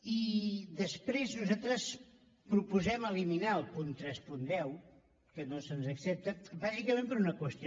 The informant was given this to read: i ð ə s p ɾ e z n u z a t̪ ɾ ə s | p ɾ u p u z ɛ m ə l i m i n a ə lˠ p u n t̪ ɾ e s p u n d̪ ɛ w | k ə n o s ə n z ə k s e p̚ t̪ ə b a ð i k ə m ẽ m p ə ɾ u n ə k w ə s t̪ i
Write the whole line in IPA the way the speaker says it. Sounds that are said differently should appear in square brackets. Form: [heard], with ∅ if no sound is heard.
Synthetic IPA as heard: i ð ə s p ɾ e z n u z a t̪ ɾ ə s | p ɾ u p u z ɛ m ə l i m i n a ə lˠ p u n t̪ ɾ [ɛ] s p u n d̪ ɛ w | k ə n o s ə n z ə k s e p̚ t̪ ə b a [z] i k ə m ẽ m p ə ɾ u n ə k w ə s t̪ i